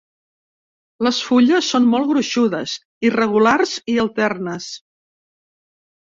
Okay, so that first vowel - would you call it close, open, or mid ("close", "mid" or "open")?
mid